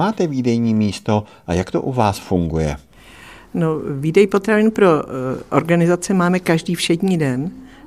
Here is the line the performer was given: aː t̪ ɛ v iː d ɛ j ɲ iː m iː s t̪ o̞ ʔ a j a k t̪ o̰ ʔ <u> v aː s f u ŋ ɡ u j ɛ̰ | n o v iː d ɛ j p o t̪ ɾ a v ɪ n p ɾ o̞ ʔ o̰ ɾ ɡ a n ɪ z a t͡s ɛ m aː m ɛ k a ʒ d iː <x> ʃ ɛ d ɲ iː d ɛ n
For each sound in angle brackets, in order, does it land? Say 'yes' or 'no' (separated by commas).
yes, no